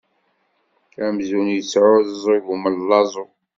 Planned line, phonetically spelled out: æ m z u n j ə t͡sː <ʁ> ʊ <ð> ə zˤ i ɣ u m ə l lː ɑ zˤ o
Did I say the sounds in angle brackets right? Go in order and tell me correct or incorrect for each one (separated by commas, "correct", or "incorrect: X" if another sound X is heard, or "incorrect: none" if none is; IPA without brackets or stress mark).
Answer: incorrect: ʕ, correct